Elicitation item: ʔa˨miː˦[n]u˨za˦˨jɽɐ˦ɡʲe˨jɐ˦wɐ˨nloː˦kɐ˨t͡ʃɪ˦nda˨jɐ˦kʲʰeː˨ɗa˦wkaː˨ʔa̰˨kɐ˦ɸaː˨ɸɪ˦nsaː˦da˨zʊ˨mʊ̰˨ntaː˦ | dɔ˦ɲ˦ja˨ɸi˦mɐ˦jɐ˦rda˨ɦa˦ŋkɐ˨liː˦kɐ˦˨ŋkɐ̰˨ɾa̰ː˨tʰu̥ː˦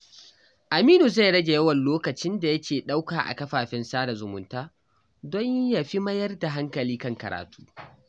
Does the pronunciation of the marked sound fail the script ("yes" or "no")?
no